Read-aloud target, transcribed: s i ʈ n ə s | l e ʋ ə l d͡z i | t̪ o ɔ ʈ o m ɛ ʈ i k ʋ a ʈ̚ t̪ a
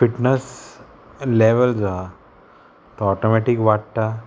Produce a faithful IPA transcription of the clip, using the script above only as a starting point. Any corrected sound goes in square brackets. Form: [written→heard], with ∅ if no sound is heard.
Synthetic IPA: [s→f] i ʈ n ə s | l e ʋ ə l d͡z [i→a] | t̪ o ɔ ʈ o m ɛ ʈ i k ʋ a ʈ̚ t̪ a

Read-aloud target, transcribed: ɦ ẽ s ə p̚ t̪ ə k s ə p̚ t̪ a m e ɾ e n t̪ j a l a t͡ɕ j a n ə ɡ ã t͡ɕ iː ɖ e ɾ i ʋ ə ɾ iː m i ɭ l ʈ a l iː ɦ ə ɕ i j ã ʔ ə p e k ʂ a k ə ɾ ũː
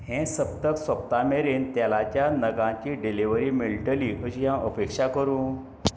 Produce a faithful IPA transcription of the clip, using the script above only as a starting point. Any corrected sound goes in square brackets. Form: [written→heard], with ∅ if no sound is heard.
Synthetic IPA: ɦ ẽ s ə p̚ t̪ ə k s ə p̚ t̪ a m e ɾ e n t̪ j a l a t͡ɕ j a n ə ɡ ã t͡ɕ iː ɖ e [ɾ→l] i ʋ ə ɾ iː m i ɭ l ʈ [a→ə] l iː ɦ ə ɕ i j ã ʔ ə p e k ʂ a k ə ɾ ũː

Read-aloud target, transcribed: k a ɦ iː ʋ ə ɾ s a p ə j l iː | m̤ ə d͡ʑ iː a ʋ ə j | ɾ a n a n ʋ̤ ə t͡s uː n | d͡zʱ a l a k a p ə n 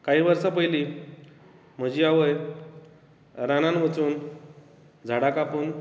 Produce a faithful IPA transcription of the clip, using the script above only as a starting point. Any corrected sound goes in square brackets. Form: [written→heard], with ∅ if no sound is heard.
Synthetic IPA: k a ɦ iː ʋ ə ɾ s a p ə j l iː | m̤ ə d͡ʑ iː a ʋ ə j | ɾ a n a n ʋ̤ ə t͡s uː n | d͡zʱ a [l→ɽ] a k a p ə n

